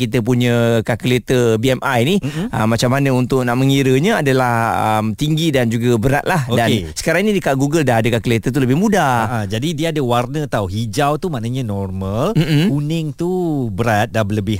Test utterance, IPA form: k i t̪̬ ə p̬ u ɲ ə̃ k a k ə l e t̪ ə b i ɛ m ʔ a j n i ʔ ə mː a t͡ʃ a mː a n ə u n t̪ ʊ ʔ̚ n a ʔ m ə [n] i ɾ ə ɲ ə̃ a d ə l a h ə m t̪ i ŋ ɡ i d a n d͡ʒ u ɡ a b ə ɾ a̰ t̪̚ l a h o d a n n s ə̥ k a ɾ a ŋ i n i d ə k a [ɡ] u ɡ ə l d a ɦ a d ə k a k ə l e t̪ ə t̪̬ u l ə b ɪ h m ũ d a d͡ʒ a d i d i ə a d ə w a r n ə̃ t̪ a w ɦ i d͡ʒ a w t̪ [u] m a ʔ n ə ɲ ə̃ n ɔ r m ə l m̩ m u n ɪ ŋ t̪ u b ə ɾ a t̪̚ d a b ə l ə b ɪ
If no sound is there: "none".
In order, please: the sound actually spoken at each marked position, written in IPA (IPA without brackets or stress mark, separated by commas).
ŋ, ɡ, u